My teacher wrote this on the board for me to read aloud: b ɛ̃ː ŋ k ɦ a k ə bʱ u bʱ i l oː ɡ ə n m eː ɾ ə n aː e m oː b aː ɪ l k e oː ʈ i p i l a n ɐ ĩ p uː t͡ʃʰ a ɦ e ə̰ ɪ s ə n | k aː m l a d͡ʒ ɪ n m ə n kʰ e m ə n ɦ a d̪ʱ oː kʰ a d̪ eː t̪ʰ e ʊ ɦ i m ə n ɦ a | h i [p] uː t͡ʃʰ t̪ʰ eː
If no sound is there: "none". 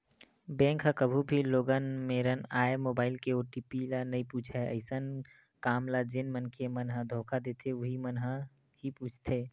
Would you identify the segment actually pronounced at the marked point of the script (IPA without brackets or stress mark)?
p